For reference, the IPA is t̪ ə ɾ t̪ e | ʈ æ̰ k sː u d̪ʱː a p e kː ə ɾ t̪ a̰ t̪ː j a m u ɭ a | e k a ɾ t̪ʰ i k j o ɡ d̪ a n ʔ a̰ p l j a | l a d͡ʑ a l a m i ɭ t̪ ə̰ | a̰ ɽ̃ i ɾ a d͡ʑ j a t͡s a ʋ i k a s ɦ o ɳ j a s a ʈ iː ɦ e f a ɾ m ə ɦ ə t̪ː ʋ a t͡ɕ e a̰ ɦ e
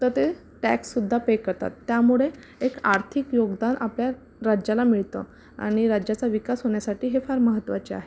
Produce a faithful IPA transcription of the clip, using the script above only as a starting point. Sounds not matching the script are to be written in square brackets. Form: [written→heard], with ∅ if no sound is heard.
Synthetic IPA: t̪ ə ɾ t̪ e | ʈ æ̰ k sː u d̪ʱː a p e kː ə ɾ t̪ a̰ t̪ː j a m u ɭ [a→e] | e k a ɾ t̪ʰ i k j o ɡ d̪ a n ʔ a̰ p l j a | [l→ɾ] a d͡ʑ a l a m i ɭ t̪ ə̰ | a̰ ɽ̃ i ɾ a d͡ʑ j a t͡s a ʋ i k a s ɦ o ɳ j a s a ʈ iː ɦ e f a ɾ m ə ɦ ə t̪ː ʋ a t͡ɕ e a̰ ɦ e

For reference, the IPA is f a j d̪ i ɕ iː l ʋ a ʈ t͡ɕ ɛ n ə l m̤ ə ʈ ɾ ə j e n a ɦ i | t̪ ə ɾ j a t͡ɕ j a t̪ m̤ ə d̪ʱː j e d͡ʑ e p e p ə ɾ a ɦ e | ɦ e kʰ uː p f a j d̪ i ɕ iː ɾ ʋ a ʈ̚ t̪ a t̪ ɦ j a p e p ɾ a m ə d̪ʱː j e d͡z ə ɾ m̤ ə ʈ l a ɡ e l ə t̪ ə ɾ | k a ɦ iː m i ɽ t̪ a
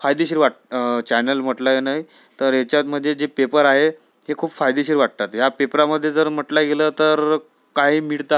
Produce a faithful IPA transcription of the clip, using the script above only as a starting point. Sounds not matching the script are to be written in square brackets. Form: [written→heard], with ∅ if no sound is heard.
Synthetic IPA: f a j d̪ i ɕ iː [l→ɾ] ʋ a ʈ t͡ɕ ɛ n ə l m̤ ə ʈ [ɾ→l] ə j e n a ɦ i | t̪ ə ɾ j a t͡ɕ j a t̪ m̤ ə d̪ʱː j e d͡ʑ e p e p ə ɾ a ɦ e | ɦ e kʰ uː p f a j d̪ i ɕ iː ɾ ʋ a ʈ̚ t̪ a t̪ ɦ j a p e p ɾ a m ə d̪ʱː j e d͡z ə ɾ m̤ ə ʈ l a ɡ e l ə t̪ ə ɾ | k a ɦ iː m i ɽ t̪ a

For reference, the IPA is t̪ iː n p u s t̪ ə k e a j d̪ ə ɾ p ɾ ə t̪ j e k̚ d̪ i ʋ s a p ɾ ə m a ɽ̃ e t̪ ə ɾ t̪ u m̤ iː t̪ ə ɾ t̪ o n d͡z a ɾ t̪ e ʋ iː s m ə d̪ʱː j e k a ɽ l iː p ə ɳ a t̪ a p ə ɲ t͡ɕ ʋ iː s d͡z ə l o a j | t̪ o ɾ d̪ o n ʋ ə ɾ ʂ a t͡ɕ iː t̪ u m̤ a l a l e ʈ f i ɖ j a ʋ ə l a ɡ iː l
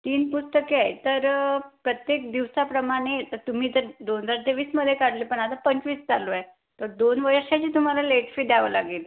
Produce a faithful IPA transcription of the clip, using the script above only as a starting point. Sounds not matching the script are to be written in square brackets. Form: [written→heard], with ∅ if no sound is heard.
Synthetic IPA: t̪ iː n p u s t̪ ə k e a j [d̪→t̪] ə ɾ p ɾ ə t̪ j e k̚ d̪ i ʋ s a p ɾ ə m a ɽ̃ e t̪ ə ɾ t̪ u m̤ iː t̪ ə ɾ [t̪→d̪] o n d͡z a ɾ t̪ e ʋ iː s m ə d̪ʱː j e k a ɽ l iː p ə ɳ a t̪ a p ə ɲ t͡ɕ ʋ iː s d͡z [ə→a] l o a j | t̪ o ɾ d̪ o n ʋ ə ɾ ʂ a t͡ɕ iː t̪ u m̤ a l a l e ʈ f i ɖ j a ʋ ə l a ɡ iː l

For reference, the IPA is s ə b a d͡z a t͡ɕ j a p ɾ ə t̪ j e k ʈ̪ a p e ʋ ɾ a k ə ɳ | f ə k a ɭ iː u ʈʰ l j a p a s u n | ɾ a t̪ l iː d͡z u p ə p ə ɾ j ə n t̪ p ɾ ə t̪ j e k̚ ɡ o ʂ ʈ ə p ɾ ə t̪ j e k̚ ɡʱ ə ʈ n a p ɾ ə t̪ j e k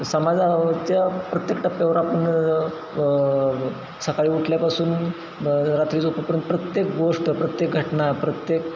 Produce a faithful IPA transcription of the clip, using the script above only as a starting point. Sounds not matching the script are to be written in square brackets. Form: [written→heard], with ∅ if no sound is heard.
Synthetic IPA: s ə [b→m] a d͡z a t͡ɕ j a p ɾ ə t̪ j e k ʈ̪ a p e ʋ ɾ a [k→p] ə ɳ | [f→s] ə k a ɭ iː u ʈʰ l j a p a s [u→uː] n | ɾ a t̪ [l→ɾ] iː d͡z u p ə p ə ɾ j ə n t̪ p ɾ ə t̪ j e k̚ ɡ o ʂ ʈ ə p ɾ ə t̪ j e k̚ ɡʱ ə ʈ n a p ɾ ə t̪ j e k

